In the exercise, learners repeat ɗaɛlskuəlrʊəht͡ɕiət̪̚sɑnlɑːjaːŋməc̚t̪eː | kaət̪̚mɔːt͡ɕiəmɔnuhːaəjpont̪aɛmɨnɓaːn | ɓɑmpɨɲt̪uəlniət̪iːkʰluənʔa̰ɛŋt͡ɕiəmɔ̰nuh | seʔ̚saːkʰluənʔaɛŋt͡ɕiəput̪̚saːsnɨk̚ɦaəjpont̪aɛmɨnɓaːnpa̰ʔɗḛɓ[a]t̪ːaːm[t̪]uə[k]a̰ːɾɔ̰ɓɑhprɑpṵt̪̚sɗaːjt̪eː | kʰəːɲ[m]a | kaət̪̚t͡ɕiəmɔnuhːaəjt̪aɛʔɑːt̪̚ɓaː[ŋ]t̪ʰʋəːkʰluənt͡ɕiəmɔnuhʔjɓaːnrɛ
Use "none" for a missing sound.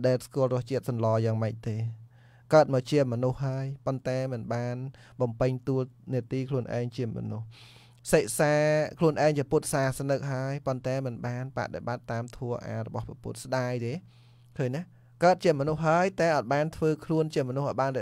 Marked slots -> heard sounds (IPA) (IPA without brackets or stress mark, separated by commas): a, t̪ʰ, ʔ, n, n